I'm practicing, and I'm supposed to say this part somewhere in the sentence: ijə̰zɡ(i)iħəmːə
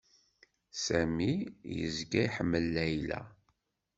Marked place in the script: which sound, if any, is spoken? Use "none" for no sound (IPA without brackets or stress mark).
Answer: æ